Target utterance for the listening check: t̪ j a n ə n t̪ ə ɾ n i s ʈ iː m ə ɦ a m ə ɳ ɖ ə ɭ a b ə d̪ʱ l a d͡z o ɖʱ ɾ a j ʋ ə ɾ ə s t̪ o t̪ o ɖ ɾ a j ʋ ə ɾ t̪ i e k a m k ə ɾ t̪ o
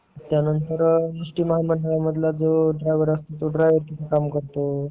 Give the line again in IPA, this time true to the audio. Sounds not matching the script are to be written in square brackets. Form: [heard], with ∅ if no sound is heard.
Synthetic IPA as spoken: t̪ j a n ə n t̪ ə ɾ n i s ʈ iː m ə ɦ a m ə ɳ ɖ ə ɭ a [m] ə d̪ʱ l a d͡z o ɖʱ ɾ a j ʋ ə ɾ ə s t̪ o t̪ o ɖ ɾ a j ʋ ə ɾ t̪ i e k a m k ə ɾ t̪ o

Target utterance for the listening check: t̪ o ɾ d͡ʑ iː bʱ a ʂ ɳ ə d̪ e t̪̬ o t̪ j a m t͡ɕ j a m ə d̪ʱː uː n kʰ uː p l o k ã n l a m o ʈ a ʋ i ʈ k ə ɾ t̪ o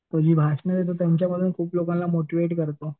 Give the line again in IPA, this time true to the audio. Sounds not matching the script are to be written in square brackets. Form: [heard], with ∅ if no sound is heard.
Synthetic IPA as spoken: t̪ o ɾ d͡ʑ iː bʱ a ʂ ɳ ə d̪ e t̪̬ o t̪ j a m t͡ɕ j a m ə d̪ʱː uː n kʰ uː p l o k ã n l a m o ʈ [i] ʋ [e] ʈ k ə ɾ t̪ o

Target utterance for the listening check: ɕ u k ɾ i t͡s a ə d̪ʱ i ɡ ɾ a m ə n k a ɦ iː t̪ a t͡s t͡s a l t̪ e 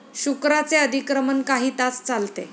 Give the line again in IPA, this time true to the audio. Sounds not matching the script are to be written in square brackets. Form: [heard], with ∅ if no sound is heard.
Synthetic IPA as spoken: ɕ u k ɾ [a] t͡s [e] ə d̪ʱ i [k] ɾ [ə] m ə n k a ɦ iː t̪ a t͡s t͡s a l t̪ e

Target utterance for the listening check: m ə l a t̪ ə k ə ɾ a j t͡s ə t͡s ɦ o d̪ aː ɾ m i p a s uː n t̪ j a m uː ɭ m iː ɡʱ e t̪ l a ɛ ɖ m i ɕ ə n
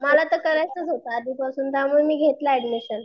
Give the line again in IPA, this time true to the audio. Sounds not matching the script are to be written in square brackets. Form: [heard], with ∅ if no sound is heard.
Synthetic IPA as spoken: m ə l a t̪ ə k ə ɾ a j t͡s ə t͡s ɦ o [t̪] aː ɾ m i p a s uː n t̪ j a m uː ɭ m iː ɡʱ e t̪ l a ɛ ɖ m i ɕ ə n

